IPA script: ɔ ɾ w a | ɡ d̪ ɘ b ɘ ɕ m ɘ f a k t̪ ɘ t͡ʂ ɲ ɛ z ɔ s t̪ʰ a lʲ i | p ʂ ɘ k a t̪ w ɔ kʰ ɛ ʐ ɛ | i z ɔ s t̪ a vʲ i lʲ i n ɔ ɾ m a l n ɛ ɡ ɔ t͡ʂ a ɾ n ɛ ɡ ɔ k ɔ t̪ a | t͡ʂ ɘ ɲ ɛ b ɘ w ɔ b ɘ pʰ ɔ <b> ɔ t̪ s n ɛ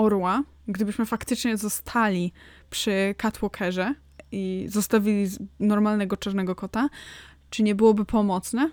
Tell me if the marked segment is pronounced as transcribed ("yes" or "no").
no